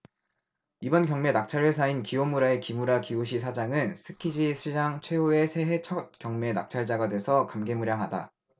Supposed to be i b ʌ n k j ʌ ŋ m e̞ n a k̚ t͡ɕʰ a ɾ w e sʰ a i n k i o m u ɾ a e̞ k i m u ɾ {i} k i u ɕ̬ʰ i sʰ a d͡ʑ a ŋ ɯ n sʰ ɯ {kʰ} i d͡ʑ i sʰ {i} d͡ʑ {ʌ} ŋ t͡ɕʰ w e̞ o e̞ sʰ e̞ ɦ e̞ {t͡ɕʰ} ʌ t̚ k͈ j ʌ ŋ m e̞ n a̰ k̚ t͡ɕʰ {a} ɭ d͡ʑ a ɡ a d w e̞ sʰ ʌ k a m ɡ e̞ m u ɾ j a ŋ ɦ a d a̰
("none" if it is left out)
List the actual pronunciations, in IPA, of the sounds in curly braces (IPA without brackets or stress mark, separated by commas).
a, kʰ, i, a, t͡ɕʰ, a